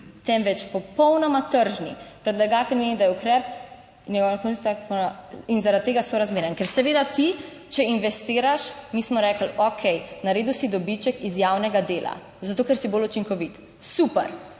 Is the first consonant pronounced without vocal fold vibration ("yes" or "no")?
yes